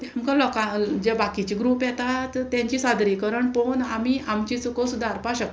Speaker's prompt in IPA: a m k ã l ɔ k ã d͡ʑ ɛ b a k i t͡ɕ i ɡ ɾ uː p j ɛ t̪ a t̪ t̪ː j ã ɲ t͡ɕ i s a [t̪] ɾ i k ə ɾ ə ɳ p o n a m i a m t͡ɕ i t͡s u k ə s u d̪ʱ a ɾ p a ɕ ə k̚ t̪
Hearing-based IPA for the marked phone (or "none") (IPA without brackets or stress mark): d̪